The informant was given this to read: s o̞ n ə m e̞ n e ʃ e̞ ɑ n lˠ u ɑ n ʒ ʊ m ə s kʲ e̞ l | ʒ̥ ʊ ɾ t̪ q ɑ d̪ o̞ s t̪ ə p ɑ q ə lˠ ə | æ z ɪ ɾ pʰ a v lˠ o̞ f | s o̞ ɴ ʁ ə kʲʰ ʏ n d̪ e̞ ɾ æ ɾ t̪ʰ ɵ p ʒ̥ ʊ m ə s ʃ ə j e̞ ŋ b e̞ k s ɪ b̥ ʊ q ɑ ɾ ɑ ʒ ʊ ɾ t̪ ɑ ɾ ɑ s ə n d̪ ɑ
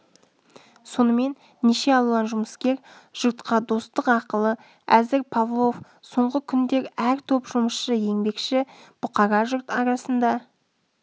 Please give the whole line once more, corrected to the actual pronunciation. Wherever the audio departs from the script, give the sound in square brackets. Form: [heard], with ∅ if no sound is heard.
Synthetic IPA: s o̞ n ə m e̞ [nː] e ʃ e̞ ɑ [∅] lˠ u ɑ n ʒ ʊ m ə s kʲ e̞ [ɾ] | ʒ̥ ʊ ɾ t̪ q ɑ d̪ o̞ s t̪ ə [q] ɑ q ə lˠ ə | æ z ɪ ɾ pʰ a v lˠ o̞ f | s o̞ ɴ ʁ ə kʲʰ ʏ n d̪ e̞ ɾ æ ɾ t̪ʰ ɵ p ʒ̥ ʊ m ə s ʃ ə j e̞ ŋ b e̞ k [ʃ] ɪ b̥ ʊ q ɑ ɾ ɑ ʒ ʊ ɾ t̪ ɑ ɾ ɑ s ə n d̪ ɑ